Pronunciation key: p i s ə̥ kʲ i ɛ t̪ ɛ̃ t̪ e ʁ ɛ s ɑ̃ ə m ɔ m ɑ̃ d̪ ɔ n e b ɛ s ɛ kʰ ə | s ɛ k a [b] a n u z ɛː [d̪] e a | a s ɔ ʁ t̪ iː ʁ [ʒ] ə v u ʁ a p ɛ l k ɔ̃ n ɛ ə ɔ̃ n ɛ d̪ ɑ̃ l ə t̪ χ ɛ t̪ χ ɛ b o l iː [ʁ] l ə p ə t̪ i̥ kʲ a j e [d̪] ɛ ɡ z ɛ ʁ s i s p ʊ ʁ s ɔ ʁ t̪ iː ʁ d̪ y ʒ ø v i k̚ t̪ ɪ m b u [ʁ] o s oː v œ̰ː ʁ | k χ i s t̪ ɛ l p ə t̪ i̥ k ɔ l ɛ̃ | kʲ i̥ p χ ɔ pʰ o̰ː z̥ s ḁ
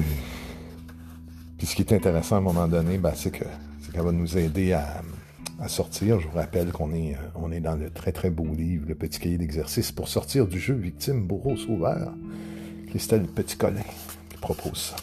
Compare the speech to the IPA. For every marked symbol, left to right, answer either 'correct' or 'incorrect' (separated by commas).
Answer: incorrect, correct, correct, incorrect, correct, correct